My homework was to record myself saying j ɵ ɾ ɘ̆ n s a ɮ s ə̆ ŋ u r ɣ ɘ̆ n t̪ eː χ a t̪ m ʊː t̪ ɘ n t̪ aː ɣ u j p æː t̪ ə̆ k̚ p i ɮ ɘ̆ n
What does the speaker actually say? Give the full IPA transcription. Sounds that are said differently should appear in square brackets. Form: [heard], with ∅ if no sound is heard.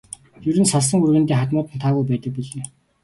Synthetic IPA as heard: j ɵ ɾ ɘ̆ n s a ɮ s ə̆ ŋ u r ɣ ɘ̆ n t̪ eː χ a t̪ m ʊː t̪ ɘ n [t̪ʰ] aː ɣ u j p æː t̪ ə̆ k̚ p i ɮ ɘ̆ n